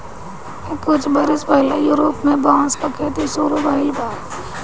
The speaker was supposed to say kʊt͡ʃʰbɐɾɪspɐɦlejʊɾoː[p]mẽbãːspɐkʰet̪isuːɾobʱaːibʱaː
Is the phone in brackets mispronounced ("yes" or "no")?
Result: no